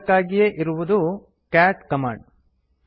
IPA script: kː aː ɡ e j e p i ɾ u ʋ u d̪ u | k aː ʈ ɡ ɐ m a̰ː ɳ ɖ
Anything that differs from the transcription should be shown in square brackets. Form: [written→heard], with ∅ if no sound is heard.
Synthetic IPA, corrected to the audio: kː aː ɡ [e→i] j e [p→ʔ] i ɾ u ʋ u d̪ u | k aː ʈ [ɡ→k] ɐ m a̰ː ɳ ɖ